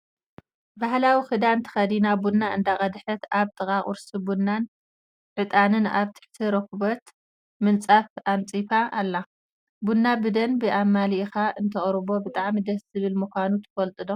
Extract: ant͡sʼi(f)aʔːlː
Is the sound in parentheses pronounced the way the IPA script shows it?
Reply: yes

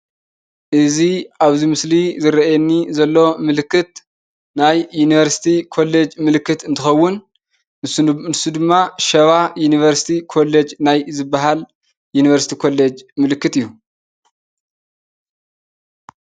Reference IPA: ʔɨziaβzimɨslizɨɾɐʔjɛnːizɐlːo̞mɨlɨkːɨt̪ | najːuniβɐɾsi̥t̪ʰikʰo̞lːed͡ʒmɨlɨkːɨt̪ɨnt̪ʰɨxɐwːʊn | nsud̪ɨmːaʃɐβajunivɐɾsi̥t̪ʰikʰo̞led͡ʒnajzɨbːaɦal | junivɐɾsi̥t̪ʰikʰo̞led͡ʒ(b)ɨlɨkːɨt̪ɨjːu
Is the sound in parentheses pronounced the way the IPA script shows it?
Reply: no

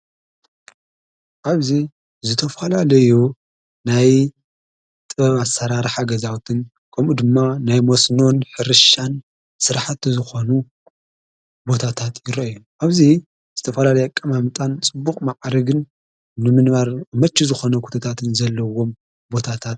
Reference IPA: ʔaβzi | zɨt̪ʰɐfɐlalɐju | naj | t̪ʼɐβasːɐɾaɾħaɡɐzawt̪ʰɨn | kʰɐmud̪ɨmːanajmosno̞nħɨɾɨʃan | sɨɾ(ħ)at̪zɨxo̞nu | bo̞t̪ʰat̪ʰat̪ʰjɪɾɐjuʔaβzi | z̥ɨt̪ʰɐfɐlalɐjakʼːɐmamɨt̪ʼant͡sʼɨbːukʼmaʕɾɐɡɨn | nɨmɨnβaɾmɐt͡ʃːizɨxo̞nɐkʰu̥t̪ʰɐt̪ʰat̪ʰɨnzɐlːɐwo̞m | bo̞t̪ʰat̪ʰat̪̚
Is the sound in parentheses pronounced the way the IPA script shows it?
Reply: yes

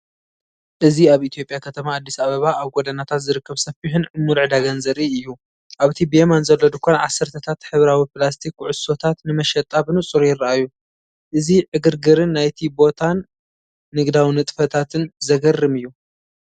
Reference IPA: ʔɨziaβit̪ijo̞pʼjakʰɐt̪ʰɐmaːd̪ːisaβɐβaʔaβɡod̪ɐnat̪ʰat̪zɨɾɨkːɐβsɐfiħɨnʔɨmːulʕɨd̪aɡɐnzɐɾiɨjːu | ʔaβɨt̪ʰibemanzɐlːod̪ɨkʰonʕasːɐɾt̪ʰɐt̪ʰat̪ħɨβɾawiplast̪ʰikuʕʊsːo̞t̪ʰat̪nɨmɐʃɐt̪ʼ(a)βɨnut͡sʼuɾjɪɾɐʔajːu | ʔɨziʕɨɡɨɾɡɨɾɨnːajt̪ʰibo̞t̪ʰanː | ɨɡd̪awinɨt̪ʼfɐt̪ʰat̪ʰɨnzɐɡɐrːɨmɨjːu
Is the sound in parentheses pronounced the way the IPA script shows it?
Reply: yes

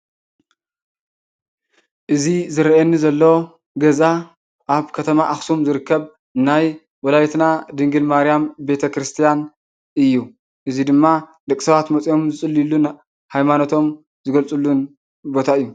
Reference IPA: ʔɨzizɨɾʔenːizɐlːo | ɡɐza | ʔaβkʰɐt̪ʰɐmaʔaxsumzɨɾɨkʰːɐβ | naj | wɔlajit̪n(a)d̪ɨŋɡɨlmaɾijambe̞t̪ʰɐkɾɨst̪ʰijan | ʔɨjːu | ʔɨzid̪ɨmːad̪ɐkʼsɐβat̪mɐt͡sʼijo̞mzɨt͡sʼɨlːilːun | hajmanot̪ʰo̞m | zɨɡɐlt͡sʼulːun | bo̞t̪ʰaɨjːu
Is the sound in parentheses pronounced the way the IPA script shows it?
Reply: yes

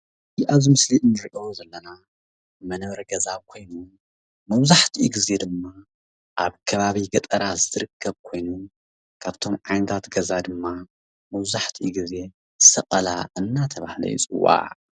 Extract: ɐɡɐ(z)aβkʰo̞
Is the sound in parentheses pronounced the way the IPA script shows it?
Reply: yes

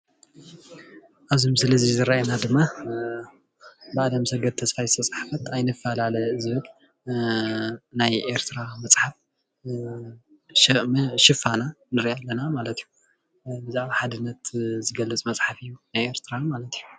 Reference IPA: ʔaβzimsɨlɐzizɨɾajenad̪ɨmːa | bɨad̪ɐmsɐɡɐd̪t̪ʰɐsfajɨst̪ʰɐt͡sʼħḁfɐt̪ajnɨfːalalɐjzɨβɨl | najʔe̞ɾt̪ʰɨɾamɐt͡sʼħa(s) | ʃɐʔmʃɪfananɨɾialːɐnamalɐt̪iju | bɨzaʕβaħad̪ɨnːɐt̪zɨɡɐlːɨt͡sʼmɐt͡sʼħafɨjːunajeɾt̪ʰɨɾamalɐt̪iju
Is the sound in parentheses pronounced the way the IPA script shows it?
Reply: no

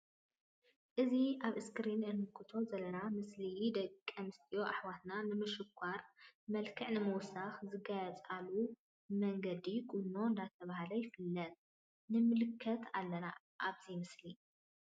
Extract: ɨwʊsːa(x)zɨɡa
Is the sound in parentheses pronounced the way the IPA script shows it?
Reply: yes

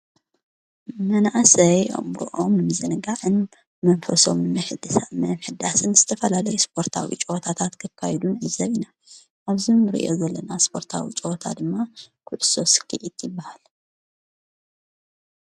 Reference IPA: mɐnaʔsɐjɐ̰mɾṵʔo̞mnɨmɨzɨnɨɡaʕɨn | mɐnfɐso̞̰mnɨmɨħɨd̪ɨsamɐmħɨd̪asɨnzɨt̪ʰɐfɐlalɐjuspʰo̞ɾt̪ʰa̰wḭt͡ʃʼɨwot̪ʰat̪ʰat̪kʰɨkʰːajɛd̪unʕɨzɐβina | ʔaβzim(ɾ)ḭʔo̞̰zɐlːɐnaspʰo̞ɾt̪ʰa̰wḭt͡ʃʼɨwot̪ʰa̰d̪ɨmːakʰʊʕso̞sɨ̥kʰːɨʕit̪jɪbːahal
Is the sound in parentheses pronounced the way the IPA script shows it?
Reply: yes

